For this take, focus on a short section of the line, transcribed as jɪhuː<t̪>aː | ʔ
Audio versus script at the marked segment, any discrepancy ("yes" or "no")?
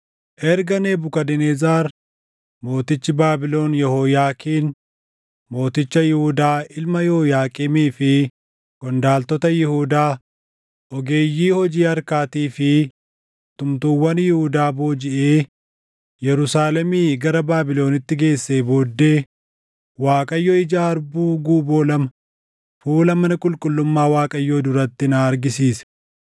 yes